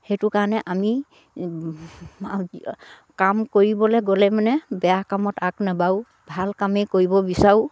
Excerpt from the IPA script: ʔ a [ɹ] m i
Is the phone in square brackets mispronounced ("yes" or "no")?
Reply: yes